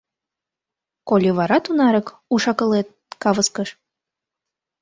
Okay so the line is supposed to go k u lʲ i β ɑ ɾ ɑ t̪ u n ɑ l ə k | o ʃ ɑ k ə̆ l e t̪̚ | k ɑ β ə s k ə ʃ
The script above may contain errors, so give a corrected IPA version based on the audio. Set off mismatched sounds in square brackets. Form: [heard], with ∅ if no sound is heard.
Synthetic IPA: k [o] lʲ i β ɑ ɾ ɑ t̪ u n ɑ [ɾ] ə k | [u] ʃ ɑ k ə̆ l e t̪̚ | k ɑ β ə s k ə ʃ